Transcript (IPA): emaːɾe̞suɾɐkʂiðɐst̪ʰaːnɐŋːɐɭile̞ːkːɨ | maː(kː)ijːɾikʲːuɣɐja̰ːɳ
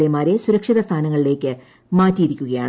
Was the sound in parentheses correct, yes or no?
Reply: no